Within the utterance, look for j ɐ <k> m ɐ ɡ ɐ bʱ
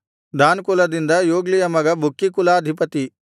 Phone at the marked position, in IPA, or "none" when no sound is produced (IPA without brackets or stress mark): none